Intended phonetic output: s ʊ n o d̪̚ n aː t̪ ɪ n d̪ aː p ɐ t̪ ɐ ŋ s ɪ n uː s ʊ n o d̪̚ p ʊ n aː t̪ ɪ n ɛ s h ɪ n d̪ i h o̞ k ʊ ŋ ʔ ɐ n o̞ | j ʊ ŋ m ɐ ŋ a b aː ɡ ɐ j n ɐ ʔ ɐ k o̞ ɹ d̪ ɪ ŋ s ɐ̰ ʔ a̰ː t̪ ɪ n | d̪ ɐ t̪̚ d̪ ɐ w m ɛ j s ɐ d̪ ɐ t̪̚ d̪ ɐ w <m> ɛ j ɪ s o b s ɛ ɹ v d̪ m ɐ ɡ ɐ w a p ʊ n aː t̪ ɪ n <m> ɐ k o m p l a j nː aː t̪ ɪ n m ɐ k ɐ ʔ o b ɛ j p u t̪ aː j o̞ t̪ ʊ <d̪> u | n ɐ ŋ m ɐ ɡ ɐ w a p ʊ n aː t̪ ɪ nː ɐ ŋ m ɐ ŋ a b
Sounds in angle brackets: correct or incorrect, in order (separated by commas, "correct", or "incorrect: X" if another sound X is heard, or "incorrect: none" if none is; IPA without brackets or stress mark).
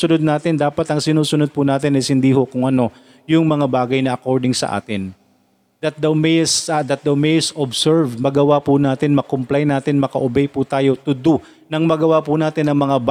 correct, correct, correct